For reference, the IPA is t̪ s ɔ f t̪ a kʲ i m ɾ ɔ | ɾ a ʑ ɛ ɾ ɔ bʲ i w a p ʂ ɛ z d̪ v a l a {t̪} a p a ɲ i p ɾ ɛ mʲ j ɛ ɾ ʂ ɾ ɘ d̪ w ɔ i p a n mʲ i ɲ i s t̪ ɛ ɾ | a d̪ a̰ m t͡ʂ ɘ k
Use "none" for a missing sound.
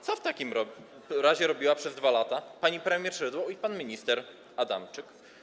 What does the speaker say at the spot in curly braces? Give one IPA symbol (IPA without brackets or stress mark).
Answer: t̪